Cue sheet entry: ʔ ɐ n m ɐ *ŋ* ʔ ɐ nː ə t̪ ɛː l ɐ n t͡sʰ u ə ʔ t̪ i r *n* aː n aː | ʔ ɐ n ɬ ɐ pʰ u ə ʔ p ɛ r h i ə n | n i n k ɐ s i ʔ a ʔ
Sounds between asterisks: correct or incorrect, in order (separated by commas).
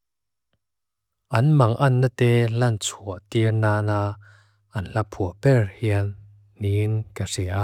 correct, correct